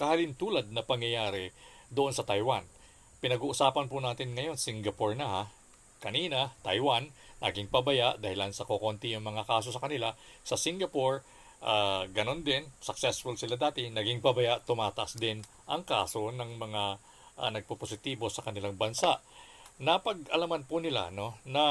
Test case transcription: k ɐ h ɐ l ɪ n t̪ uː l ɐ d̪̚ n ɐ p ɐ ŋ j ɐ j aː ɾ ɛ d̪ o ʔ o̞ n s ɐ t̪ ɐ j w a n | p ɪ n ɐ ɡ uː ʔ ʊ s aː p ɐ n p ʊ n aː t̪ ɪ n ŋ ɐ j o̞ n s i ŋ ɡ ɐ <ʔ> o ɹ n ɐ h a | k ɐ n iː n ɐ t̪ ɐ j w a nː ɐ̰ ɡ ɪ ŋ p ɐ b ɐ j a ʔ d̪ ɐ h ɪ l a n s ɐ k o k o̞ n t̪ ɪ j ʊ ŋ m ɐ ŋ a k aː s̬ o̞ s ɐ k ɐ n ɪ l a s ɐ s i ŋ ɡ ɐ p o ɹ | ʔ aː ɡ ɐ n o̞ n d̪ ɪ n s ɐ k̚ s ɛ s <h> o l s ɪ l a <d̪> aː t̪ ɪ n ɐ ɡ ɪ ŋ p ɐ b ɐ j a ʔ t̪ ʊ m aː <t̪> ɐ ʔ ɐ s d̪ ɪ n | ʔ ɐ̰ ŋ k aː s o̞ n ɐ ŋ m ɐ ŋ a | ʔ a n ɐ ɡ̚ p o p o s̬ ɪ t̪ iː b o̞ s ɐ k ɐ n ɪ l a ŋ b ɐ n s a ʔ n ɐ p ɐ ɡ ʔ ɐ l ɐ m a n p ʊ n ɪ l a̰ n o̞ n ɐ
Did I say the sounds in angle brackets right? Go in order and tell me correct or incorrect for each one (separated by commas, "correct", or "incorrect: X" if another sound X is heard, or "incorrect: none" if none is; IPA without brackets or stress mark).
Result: incorrect: p, incorrect: f, correct, correct